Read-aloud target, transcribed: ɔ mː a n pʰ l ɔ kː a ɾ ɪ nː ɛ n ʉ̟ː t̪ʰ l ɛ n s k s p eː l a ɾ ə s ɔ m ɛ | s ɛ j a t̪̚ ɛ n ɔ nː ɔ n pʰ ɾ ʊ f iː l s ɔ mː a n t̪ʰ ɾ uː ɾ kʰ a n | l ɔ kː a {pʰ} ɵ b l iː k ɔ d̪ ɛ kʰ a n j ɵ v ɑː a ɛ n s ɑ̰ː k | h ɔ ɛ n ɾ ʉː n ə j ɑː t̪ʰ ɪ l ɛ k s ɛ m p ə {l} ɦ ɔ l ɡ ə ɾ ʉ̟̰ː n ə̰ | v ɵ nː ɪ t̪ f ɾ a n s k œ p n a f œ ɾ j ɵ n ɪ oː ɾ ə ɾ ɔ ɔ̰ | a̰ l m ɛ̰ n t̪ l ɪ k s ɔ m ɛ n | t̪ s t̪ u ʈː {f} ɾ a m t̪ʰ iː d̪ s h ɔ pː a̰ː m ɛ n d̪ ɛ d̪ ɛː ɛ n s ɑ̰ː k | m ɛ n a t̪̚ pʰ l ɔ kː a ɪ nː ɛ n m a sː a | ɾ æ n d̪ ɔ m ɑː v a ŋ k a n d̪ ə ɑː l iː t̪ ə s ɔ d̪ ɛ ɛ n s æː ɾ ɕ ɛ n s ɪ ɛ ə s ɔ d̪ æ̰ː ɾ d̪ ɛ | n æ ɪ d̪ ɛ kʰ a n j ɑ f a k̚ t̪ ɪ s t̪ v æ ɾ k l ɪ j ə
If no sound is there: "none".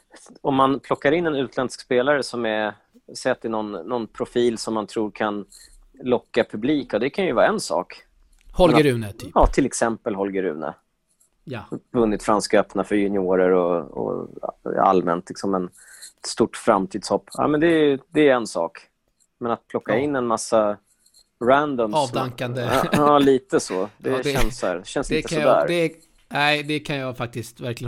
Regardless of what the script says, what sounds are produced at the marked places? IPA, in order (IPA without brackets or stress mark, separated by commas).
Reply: pʰ, l, f